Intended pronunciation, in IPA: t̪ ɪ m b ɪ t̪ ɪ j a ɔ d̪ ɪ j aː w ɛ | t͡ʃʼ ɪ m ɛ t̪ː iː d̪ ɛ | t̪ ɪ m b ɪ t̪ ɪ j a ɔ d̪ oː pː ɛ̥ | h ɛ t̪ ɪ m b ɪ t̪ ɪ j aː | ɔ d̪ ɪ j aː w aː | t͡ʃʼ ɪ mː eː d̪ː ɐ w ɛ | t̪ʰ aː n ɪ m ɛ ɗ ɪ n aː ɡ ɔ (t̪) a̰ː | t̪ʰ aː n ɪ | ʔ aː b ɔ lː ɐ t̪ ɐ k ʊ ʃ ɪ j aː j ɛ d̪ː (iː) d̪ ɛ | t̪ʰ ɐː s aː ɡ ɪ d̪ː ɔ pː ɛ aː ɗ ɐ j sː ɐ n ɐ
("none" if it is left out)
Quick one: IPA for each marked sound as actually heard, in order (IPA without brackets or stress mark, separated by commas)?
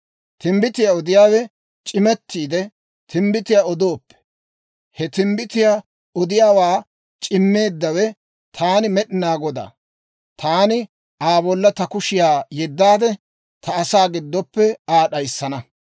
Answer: d̪, aː